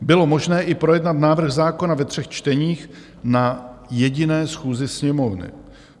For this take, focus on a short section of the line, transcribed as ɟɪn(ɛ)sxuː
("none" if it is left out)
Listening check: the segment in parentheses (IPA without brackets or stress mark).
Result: ɛː